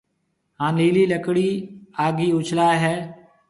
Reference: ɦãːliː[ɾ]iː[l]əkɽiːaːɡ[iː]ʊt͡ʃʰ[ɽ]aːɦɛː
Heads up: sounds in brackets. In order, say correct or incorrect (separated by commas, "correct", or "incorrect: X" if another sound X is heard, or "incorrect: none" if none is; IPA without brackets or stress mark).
incorrect: l, correct, correct, incorrect: l